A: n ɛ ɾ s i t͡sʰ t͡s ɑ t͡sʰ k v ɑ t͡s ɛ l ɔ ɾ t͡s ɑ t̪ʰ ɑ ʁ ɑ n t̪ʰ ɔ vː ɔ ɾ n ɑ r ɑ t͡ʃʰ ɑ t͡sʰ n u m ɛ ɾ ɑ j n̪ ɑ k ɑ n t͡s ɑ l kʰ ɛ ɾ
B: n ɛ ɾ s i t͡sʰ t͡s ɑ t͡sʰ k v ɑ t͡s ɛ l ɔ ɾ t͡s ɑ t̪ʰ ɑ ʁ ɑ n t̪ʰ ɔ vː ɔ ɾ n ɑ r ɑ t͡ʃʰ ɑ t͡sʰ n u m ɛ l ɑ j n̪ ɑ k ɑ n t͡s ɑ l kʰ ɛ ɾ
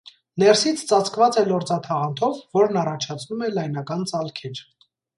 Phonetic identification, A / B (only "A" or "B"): B